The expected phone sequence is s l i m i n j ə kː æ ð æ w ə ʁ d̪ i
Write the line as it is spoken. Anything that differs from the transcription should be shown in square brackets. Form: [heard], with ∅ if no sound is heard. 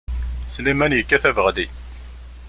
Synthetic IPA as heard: s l i m [æ] n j ə kː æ [θ] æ [v] ə ʁ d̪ i